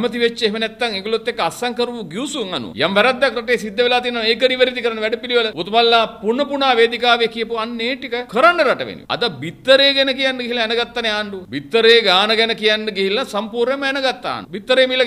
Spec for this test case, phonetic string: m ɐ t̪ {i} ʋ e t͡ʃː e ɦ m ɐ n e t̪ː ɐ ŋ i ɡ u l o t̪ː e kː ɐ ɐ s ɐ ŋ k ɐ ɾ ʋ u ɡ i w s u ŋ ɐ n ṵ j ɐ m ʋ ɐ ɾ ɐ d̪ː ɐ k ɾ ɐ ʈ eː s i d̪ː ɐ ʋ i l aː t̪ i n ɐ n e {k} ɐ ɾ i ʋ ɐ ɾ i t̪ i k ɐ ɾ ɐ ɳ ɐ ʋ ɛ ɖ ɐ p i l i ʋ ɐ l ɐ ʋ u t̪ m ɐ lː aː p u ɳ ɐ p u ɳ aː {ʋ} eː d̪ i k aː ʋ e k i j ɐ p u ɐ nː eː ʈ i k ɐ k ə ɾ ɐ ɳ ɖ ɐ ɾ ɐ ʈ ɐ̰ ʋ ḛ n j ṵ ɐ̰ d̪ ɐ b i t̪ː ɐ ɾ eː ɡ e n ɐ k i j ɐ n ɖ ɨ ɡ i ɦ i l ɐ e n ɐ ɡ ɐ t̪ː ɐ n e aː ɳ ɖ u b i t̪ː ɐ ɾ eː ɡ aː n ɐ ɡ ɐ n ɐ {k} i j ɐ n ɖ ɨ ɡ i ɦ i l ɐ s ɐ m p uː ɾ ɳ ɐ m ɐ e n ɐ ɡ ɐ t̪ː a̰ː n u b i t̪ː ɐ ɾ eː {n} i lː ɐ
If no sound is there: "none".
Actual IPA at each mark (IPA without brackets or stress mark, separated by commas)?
i, k, ʋ, k, m